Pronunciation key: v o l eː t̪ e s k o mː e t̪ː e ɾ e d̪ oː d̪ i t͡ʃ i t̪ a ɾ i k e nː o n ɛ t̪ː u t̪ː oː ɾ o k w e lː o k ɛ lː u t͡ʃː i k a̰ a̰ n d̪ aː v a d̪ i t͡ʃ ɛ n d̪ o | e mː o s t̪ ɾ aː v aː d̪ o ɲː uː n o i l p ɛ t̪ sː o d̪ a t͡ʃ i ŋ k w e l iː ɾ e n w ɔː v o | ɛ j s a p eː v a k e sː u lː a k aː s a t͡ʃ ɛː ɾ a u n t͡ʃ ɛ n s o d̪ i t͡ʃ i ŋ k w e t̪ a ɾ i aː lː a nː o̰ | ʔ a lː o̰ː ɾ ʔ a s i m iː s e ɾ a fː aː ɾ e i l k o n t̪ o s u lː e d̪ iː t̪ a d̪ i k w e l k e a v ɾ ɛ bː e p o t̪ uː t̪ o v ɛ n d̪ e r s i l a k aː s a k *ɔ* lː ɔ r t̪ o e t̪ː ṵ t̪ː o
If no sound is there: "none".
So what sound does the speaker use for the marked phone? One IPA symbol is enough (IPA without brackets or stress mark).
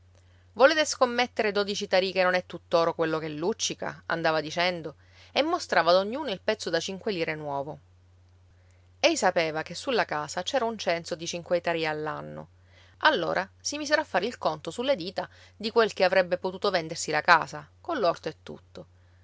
o